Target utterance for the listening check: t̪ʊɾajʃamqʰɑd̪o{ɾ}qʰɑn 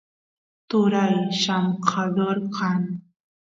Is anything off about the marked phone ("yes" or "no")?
no